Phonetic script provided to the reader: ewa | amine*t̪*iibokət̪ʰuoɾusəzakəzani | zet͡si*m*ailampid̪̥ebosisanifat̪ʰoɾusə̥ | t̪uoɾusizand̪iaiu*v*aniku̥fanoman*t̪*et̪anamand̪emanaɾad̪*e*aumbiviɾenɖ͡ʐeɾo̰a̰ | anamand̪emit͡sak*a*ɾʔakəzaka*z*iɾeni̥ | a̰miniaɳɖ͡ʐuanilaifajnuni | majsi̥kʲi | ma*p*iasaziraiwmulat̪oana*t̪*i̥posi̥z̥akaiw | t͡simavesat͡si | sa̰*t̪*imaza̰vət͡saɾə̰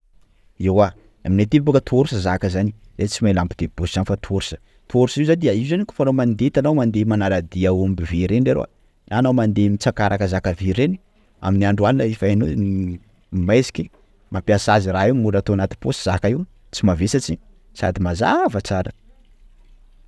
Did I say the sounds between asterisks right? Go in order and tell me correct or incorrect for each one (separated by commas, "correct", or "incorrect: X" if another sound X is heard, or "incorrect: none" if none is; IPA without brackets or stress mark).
correct, correct, incorrect: z, incorrect: d̪, incorrect: i, correct, incorrect: v, correct, correct, incorrect: d̪